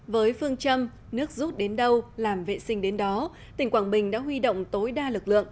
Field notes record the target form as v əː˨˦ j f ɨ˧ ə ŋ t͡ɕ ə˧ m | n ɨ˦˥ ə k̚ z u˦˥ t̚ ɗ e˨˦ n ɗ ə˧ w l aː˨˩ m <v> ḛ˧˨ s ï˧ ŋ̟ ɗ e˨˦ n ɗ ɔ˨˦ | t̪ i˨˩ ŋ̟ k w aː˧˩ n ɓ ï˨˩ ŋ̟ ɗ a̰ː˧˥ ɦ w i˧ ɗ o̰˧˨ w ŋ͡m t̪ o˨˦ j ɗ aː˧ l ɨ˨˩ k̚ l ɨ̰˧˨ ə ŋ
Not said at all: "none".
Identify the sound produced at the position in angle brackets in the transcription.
v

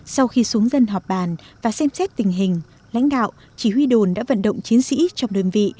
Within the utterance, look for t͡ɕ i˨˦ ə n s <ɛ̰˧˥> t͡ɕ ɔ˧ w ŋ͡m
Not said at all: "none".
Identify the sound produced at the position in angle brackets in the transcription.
ḭ˧˥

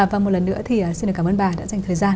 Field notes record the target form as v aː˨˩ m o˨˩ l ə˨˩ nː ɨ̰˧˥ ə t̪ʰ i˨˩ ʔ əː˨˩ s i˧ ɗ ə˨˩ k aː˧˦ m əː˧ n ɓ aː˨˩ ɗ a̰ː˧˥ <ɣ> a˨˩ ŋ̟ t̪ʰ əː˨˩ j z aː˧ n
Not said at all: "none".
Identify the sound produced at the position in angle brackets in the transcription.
z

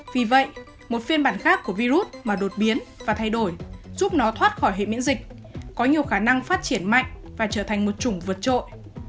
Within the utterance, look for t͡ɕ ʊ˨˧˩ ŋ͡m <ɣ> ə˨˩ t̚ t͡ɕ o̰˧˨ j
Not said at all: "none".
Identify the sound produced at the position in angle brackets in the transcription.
v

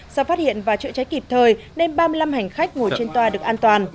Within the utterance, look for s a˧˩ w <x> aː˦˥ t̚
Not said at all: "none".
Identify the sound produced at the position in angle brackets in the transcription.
f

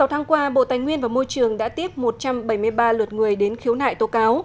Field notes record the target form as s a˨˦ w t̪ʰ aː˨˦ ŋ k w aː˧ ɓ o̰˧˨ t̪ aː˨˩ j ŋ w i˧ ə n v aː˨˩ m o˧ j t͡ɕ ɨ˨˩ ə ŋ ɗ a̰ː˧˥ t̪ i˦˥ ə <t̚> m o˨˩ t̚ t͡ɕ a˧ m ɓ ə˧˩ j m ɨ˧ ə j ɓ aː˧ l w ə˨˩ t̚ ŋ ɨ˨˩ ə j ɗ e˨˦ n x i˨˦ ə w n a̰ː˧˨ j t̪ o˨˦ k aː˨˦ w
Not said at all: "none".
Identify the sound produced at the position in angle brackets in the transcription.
p̚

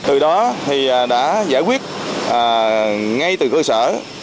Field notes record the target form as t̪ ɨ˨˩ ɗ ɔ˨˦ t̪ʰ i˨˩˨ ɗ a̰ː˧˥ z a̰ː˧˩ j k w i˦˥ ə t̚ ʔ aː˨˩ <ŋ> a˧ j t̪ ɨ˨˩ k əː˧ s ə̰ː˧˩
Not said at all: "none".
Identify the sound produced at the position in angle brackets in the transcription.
ŋ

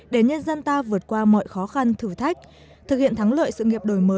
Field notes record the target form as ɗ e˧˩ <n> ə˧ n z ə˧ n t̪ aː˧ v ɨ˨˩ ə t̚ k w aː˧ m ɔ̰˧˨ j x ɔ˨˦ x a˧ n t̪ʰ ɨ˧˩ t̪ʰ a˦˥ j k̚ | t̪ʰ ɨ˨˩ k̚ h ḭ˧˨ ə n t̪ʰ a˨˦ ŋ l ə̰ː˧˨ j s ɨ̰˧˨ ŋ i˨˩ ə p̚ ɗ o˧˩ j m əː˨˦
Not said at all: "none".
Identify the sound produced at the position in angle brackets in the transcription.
ɲ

